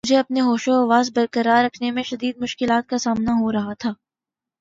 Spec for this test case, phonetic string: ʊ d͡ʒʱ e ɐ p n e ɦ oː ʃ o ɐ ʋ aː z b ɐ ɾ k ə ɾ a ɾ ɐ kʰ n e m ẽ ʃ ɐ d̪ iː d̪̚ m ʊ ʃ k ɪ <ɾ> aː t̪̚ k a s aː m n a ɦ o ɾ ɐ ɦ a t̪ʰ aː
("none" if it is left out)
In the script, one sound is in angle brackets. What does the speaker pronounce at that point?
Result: l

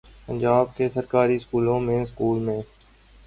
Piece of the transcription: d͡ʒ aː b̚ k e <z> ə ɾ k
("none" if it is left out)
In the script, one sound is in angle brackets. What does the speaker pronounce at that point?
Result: s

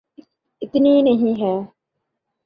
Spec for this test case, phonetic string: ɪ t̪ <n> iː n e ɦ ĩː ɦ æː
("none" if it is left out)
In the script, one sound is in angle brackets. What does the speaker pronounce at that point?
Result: n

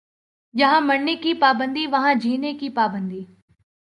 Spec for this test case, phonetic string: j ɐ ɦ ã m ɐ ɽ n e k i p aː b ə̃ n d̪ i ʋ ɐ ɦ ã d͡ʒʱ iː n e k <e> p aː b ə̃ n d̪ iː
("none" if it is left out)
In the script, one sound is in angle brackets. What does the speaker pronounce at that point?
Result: i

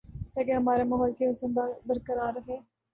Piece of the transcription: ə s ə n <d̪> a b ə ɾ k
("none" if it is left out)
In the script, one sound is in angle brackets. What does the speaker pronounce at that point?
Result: d̪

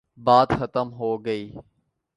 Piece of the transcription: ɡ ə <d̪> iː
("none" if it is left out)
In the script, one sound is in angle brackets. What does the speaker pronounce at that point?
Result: none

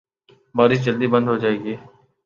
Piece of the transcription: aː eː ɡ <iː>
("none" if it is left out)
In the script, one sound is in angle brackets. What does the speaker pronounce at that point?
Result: iː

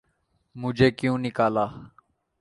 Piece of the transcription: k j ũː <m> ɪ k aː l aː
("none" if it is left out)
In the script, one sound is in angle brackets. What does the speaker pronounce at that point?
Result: n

